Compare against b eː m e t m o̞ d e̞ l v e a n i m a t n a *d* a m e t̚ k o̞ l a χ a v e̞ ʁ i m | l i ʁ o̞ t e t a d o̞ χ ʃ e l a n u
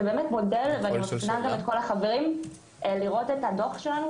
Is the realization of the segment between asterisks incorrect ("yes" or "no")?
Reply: yes